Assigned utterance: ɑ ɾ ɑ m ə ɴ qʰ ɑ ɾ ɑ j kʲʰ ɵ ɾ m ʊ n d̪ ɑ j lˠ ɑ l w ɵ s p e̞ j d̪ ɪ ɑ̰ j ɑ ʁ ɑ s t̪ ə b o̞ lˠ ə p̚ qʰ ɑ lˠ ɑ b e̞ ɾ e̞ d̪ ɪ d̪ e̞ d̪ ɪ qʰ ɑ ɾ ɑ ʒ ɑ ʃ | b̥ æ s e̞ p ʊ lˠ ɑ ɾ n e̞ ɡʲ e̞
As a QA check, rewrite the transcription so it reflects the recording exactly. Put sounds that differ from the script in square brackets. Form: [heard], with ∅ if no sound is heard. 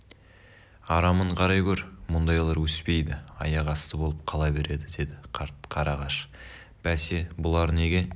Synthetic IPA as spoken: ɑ ɾ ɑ m ə ɴ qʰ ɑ ɾ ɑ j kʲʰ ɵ ɾ m ʊ n d̪ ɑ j lˠ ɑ [ɾ] w ɵ s p e̞ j d̪ ɪ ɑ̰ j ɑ ʁ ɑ s t̪ ə b o̞ lˠ ə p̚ qʰ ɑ lˠ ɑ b e̞ ɾ e̞ d̪ ɪ d̪ e̞ d̪ ɪ qʰ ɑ ɾ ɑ [ʁ] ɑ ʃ | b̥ æ s e̞ [b] ʊ lˠ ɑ ɾ n e̞ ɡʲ e̞